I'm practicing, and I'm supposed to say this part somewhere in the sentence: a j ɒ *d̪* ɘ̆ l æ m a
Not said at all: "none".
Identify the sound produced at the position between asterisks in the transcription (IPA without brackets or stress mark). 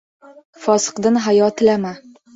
t̪